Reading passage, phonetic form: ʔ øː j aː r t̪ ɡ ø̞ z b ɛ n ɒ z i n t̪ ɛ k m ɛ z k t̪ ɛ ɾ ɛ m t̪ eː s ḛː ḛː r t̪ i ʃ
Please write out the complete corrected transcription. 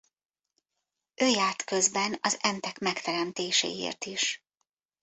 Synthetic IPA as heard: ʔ øː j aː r t̪ k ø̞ z b ɛ n ɒ z ɛ n t̪ ɛ k m ɛ k t̪ ɛ ɾ ɛ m t̪ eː ʃ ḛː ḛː r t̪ i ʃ